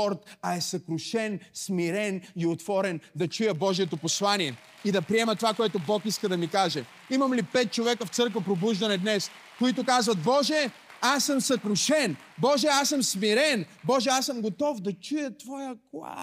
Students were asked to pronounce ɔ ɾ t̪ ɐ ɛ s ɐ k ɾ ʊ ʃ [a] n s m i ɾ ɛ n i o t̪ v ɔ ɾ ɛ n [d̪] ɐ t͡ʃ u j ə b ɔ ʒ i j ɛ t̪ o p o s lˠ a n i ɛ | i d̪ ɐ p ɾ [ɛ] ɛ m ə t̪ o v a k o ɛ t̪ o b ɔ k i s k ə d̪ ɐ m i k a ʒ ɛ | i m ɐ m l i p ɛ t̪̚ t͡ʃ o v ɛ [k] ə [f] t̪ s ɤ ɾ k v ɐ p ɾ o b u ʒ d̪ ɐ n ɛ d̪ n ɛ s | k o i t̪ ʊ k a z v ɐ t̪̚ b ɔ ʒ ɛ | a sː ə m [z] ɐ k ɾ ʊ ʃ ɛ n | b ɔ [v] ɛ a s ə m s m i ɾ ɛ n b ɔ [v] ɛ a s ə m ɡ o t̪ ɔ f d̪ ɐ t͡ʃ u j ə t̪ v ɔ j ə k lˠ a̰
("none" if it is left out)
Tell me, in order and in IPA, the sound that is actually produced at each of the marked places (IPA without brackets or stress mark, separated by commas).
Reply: ɛ, d̪, i, k, f, s, ʒ, ʒ